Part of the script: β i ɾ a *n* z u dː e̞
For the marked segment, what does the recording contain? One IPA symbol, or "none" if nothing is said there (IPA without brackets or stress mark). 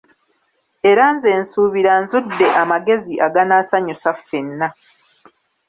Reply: n